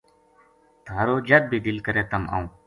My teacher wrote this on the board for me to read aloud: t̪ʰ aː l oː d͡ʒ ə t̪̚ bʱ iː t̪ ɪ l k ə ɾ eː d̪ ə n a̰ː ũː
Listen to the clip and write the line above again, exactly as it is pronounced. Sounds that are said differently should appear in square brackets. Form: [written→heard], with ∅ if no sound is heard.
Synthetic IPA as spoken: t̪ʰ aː [l→ɾ] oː d͡ʒ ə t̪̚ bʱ iː [t̪→d̪] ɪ l k ə ɾ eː [d̪→t̪] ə [n→m] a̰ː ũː